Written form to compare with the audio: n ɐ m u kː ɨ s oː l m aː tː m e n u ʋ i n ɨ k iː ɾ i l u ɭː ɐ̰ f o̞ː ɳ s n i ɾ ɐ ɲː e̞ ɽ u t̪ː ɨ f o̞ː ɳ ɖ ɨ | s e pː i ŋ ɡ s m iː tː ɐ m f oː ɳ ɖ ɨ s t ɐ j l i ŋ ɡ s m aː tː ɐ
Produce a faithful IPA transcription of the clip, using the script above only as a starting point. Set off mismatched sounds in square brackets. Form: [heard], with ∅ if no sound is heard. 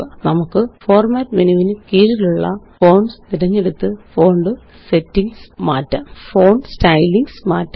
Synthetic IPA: n ɐ m u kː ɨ [f] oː [r] m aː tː m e n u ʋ i n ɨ k iː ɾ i l u ɭː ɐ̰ f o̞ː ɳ s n i ɾ ɐ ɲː e̞ ɽ u t̪ː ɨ f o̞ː ɳ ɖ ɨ | s e [tː] i ŋ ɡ s m [aː] tː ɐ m f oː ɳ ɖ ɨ s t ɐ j l i ŋ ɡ s m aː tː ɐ